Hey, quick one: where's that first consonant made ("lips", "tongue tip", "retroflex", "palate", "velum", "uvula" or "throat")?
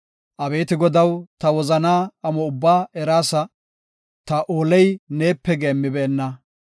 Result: throat